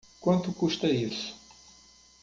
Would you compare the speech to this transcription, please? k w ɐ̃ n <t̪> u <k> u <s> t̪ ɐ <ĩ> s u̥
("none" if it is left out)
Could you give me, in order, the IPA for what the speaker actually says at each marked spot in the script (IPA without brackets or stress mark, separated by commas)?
t̪, k, ʃ, i